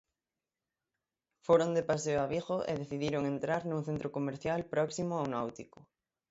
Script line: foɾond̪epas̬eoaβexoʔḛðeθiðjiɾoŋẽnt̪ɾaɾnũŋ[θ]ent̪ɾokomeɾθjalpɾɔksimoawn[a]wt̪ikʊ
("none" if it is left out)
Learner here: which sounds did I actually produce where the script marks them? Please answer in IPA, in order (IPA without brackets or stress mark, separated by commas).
θ, a